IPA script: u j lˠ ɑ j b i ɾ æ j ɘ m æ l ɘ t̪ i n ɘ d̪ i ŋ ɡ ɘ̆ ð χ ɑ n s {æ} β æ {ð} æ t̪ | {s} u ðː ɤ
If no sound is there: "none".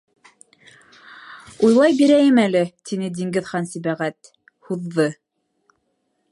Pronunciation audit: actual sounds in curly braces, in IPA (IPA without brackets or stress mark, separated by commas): i, ʁ, h